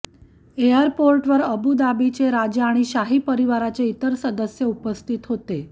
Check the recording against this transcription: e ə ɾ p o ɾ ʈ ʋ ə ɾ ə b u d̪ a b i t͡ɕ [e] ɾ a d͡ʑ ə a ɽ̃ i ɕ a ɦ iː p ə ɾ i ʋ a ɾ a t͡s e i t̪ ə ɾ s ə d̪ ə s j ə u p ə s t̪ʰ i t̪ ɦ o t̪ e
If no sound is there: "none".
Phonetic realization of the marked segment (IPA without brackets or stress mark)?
e